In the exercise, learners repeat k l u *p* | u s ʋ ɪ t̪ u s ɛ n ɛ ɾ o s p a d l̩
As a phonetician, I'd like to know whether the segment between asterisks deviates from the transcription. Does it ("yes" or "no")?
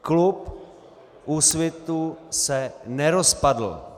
no